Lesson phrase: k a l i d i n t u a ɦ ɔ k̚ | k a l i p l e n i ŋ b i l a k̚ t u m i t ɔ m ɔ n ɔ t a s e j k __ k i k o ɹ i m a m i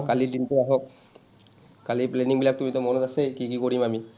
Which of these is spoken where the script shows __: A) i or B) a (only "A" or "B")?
A